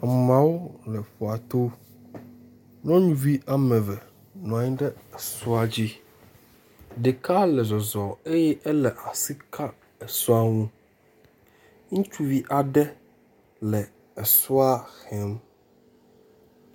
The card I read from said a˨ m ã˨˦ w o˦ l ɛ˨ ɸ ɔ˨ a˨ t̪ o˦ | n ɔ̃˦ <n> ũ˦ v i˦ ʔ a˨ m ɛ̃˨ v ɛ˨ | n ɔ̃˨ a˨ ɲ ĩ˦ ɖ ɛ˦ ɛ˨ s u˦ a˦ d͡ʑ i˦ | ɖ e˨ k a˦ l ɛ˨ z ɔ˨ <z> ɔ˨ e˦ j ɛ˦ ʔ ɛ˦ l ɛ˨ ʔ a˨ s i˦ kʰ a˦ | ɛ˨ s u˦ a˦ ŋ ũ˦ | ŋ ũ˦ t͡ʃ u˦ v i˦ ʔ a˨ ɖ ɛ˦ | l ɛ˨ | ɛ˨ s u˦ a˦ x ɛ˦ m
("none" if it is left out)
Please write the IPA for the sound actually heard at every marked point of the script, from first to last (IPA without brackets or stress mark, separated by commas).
ɲ, z